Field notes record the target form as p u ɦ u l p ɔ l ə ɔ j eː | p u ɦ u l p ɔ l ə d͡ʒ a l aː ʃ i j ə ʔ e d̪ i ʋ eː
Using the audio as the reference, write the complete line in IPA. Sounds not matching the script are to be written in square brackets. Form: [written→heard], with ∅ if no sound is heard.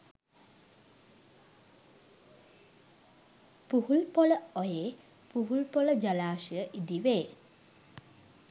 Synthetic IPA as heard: p u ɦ u l p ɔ l ə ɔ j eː | p u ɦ u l p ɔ l ə d͡ʒ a l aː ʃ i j ə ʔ [e→i] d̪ i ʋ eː